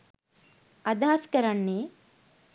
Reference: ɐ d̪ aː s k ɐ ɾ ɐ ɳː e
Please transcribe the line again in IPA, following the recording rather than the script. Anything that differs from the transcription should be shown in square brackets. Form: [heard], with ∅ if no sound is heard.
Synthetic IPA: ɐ d̪ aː s k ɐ ɾ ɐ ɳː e